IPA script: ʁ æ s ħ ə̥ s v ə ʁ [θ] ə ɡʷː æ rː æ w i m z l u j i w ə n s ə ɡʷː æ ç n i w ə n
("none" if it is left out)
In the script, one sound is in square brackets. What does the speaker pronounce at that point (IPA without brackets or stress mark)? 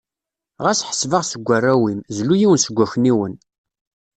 s